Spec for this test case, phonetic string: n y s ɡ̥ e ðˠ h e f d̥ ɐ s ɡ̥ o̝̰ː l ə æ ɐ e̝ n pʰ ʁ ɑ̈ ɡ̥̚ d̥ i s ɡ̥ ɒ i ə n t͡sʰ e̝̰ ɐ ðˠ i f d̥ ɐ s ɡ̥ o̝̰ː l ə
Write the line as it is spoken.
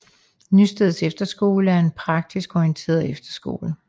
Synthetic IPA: n y s d̥ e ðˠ s e f d̥ ɐ s ɡ̥ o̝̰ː l ə æ ɐ e̝ n pʰ ʁ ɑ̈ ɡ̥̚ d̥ i s ɡ̥ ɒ i ə n t͡sʰ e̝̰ ɐ ðˠ e f d̥ ɐ s ɡ̥ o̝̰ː l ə